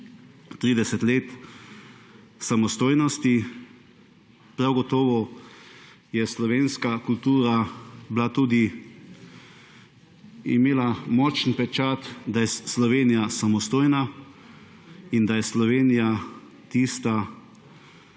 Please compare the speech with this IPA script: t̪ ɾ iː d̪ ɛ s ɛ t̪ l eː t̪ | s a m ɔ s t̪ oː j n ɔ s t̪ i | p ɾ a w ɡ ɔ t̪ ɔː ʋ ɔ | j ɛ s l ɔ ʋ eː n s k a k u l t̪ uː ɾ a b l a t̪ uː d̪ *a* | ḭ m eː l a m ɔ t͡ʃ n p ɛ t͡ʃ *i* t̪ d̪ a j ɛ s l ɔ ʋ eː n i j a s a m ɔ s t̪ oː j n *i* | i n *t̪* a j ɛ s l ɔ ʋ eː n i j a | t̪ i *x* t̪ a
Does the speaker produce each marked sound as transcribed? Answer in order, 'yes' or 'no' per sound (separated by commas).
no, no, no, no, no